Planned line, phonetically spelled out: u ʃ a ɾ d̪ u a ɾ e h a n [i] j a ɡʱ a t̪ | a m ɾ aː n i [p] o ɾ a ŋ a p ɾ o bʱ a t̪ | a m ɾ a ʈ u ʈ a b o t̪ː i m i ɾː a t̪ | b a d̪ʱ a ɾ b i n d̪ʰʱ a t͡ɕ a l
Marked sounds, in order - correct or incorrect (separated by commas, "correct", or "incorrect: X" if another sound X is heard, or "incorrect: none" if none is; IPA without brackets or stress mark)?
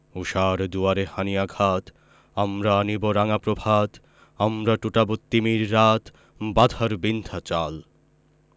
correct, incorrect: b